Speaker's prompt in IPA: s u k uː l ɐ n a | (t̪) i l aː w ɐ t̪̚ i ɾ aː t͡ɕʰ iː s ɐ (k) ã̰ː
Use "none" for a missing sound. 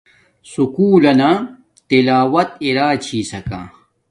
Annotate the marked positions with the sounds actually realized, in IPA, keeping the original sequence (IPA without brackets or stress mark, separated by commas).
t̪, k